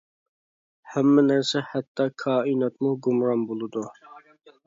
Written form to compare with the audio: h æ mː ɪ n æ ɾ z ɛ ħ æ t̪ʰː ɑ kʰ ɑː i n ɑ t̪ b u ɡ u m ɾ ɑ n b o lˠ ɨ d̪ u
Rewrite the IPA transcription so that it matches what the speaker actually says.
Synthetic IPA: h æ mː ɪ n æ ɾ s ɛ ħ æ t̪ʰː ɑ kʰ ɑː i n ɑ t̪ m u ɡ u m ɾ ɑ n b o lˠ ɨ d̪ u

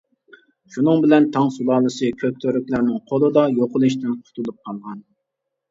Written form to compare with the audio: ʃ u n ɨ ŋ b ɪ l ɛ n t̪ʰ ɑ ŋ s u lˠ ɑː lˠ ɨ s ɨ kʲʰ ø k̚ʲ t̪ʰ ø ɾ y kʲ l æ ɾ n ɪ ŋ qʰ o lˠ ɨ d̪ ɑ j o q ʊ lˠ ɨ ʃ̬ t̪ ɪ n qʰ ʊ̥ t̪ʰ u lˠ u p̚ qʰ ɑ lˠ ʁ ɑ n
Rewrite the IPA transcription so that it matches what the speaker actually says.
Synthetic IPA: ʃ u n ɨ ŋ b ɪ l ɛ n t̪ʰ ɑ ŋ s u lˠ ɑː lˠ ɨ s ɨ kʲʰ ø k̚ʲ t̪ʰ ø ɾ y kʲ l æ ɾ n ɪ ŋ qʰ o lˠ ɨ d̪ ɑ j o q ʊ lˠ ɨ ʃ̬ t̪ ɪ n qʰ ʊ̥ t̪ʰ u lˠ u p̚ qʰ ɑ lˠ ʁ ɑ n

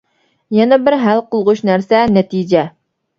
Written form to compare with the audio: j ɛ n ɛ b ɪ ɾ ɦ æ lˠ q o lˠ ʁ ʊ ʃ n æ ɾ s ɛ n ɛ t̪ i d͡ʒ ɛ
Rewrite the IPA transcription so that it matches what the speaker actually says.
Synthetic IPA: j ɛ n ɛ b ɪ ɾ ɦ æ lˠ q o lˠ ʁ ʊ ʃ n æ ɾ s ɛ n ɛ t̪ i d͡ʒ ɛ

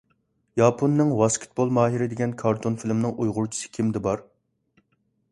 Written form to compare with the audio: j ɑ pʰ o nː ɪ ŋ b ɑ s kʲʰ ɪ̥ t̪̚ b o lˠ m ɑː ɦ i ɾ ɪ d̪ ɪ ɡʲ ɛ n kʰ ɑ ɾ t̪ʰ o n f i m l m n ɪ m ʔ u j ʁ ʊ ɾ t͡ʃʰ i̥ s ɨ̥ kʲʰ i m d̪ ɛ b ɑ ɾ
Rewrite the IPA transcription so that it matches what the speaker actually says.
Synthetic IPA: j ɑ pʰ o nː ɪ ŋ w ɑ s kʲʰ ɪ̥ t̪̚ b o lˠ m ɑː ɦ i ɾ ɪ d̪ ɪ ɡʲ ɛ n kʰ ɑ ɾ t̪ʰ o n f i l m n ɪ ŋ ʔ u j ʁ ʊ ɾ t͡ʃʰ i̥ s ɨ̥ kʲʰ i m d̪ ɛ b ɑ ɾ

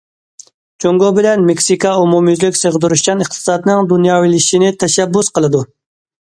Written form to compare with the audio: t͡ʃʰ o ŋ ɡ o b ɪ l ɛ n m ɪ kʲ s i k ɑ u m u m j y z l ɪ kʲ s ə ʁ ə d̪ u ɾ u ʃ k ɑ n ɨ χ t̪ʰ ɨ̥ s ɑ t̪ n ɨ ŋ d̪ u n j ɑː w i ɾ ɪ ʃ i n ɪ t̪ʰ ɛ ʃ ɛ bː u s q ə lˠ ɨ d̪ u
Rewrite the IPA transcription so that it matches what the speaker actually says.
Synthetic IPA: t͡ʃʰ o ŋ ɡ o b ɪ l ɛ n m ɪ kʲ s i k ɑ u m u m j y z l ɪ kʲ s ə ʁ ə d̪ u ɾ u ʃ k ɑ n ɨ χ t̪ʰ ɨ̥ s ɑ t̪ n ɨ ŋ d̪ u n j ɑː w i l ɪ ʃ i n ɪ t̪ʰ ɛ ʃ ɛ bː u s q ə lˠ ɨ d̪ u

